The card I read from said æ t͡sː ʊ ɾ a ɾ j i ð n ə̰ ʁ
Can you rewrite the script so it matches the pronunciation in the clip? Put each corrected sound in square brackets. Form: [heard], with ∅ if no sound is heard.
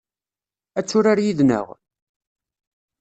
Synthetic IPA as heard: æ t͡sː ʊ ɾ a ɾ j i ð n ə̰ ʁ